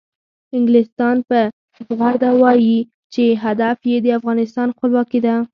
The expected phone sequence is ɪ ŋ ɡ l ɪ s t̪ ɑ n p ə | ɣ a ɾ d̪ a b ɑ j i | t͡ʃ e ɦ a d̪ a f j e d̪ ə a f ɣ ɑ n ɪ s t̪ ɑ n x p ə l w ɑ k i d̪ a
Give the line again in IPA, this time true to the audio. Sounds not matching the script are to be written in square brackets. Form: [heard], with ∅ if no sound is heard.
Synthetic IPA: ɪ ŋ ɡ l ɪ s t̪ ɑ n p ə | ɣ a ɾ d̪ a [w] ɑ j i | t͡ʃ e ɦ a d̪ a f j e d̪ ə a f ɣ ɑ n ɪ s t̪ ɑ n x p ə l w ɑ k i d̪ a